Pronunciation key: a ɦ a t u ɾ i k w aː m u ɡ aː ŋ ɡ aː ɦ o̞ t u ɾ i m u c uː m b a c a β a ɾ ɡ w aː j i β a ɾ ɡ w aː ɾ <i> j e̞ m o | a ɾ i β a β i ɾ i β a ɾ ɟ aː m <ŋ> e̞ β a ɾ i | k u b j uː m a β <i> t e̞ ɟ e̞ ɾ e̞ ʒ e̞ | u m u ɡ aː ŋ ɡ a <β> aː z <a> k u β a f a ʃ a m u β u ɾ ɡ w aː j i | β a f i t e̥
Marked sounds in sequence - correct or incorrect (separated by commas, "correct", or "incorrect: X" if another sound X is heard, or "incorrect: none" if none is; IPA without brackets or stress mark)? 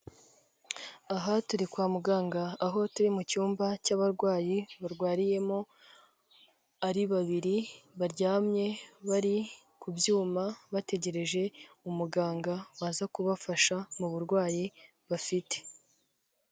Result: correct, incorrect: ɲ, incorrect: a, incorrect: w, correct